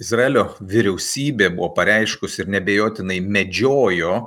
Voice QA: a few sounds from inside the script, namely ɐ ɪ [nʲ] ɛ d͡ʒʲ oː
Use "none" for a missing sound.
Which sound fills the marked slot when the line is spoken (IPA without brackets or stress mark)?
mʲ